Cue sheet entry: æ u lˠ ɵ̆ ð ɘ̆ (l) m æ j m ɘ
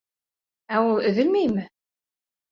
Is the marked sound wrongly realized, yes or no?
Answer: no